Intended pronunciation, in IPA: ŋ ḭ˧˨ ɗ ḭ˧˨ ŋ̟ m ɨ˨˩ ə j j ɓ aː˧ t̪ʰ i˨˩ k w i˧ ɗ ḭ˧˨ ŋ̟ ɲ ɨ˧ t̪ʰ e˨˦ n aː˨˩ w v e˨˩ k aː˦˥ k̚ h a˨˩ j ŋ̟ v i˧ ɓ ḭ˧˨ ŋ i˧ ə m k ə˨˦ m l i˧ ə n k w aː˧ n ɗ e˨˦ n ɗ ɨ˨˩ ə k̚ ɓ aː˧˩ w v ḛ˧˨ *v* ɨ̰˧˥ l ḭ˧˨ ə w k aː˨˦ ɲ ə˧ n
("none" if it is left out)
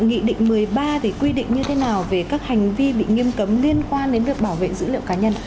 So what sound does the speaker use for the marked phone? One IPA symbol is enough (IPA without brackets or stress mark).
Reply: z